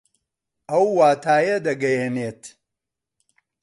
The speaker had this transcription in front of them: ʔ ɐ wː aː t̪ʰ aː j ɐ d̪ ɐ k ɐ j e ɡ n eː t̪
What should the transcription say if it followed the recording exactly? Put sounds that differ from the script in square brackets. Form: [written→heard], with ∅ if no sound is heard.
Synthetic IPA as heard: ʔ ɐ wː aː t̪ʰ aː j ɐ d̪ ɐ [k→ɡ] ɐ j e [ɡ→∅] n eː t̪